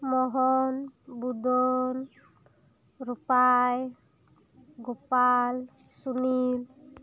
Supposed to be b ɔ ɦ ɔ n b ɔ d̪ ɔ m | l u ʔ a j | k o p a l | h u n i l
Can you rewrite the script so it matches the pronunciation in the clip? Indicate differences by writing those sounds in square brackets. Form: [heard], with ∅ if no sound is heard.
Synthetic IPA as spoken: [m] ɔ ɦ ɔ n b [u] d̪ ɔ [n] | [ɾ] u [p] a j | [ɡ] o p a l | [s] u n i l